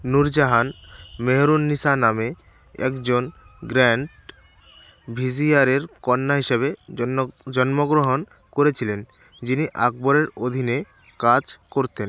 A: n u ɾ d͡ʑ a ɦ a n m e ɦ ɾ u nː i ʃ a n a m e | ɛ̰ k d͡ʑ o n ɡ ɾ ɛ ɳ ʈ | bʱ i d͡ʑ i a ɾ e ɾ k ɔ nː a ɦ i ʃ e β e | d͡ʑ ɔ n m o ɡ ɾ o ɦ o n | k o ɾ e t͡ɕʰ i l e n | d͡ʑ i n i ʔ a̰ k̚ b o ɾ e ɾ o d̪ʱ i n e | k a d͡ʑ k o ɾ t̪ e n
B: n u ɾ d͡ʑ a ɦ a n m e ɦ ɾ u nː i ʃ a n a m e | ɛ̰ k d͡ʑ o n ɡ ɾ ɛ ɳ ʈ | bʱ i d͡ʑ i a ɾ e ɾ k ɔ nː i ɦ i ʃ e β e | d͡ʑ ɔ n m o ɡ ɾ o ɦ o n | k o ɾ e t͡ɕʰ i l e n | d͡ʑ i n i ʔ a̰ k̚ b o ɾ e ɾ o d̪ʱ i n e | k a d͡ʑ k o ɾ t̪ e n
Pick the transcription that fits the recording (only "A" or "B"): A